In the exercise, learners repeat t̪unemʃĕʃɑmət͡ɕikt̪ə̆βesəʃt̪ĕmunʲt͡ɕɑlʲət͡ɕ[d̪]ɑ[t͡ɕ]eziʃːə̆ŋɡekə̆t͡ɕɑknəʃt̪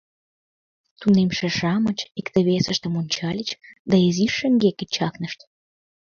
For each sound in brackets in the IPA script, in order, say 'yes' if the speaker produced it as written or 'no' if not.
yes, no

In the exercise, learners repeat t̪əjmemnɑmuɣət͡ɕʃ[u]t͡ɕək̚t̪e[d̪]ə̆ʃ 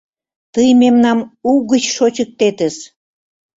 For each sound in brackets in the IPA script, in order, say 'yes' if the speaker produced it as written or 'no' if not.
no, no

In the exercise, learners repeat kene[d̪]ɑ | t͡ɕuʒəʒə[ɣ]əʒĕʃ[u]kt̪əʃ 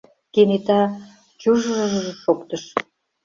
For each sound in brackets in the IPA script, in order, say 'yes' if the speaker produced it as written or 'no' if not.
no, no, no

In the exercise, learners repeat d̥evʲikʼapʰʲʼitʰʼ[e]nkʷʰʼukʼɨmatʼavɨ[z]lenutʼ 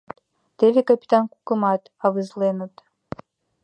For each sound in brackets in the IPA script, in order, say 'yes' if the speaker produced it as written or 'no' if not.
no, yes

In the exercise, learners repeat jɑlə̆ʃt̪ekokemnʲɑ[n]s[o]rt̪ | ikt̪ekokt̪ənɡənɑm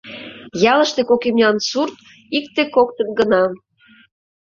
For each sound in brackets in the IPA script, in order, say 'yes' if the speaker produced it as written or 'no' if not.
yes, no

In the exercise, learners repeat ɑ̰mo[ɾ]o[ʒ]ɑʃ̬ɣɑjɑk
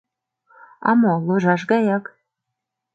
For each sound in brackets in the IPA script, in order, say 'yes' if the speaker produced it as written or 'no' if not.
no, yes

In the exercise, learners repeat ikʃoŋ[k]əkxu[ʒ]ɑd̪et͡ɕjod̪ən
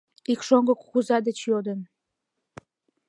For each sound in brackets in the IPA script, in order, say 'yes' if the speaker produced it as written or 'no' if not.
no, no

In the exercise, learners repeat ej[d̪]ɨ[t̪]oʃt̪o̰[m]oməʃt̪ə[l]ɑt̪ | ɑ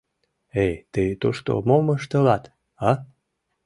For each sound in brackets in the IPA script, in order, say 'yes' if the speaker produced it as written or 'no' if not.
no, yes, yes, yes

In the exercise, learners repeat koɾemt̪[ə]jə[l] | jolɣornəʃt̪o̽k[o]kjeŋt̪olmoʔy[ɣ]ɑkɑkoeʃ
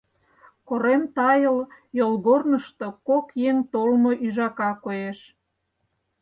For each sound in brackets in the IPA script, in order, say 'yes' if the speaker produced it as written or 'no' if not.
no, yes, yes, no

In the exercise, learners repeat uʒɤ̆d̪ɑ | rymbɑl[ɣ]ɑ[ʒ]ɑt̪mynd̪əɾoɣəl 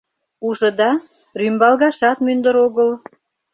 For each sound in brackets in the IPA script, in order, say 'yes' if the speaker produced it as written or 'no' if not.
yes, no

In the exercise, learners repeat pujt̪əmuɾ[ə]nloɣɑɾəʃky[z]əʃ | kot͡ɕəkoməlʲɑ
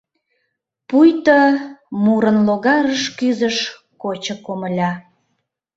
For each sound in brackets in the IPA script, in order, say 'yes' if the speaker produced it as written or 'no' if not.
yes, yes

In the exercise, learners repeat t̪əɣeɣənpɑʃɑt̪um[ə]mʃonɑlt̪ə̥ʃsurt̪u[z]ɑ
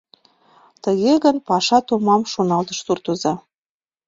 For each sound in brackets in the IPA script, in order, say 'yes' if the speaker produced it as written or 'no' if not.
no, yes

